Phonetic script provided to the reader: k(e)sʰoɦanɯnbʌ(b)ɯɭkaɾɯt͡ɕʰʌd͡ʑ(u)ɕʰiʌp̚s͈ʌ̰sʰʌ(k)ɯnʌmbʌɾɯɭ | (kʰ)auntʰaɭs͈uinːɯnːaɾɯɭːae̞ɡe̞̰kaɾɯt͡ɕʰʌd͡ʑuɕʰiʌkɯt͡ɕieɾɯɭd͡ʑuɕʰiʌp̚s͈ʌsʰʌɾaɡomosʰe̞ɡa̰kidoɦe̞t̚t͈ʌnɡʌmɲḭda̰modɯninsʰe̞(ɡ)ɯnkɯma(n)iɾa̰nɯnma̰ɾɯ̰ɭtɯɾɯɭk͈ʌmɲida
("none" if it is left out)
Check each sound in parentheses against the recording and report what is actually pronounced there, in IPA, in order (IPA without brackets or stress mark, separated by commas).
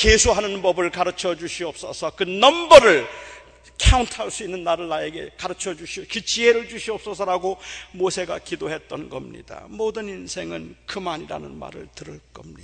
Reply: e, b, u, k, kʰ, ŋ, ɲ